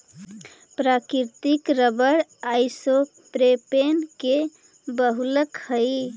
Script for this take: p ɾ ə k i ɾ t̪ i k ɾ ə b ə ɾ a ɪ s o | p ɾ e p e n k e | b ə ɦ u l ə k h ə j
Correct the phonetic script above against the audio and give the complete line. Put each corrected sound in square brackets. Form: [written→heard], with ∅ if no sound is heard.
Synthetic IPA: p ɾ [ə→a] k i ɾ t̪ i k ɾ ə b ə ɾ a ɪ s o | p ɾ e p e n k e | b ə ɦ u l ə k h ə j